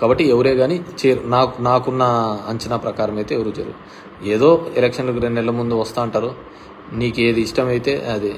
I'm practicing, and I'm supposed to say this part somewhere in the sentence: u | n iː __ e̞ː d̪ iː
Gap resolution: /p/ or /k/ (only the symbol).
k